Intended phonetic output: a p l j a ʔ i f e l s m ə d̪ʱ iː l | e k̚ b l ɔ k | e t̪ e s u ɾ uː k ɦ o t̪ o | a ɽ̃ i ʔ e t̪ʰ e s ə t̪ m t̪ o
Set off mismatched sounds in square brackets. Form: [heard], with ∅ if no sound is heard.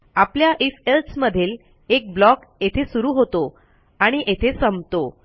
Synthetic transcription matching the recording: a p l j a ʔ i f e l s m ə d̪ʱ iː l | e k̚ b l ɔ k | e [t̪ʰ] e s u ɾ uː [∅] ɦ o t̪ o | a ɽ̃ i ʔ e t̪ʰ e s ə [∅] m t̪ o